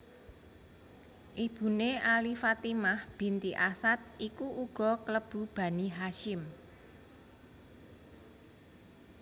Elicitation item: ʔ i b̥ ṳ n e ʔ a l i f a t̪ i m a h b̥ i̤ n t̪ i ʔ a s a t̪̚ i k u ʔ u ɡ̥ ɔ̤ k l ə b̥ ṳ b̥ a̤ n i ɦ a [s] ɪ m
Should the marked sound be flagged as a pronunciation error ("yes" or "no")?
yes